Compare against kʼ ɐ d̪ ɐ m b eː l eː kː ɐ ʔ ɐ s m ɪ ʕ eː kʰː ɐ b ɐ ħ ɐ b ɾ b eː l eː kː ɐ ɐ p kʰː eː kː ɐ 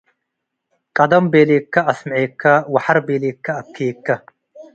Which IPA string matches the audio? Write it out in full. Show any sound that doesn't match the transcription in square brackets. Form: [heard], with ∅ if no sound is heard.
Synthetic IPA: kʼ ɐ d̪ ɐ m b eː l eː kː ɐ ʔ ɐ s m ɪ ʕ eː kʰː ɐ [w] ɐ ħ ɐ [∅] ɾ b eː l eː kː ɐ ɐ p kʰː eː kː ɐ